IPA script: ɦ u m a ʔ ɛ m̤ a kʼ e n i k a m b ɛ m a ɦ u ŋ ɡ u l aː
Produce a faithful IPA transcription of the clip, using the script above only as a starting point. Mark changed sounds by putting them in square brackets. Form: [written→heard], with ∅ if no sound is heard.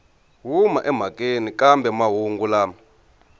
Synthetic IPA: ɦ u m a ʔ ɛ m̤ a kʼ e n i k a m b ɛ m a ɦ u ŋ ɡ u l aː